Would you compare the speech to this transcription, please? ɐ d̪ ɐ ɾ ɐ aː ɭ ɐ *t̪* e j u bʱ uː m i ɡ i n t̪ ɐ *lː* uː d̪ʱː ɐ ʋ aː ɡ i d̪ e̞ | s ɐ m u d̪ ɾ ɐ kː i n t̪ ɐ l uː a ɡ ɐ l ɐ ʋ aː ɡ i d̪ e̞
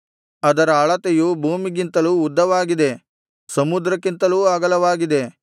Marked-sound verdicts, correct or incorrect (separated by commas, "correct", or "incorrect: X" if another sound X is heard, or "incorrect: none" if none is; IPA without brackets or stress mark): correct, incorrect: l